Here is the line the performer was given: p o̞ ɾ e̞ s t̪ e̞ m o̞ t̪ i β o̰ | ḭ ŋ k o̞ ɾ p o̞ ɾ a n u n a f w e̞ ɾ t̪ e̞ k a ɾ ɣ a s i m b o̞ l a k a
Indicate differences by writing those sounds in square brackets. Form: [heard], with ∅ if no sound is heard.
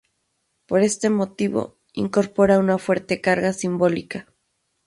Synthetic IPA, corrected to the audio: p o̞ ɾ e̞ s t̪ e̞ m o̞ t̪ i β o̰ | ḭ ŋ k o̞ ɾ p o̞ ɾ a [∅] u n a f w e̞ ɾ t̪ e̞ k a ɾ ɣ a s i m b o̞ l [i] k a